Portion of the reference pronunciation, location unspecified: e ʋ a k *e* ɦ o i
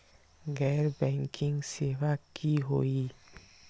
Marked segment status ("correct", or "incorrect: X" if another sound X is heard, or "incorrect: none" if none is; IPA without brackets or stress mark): incorrect: i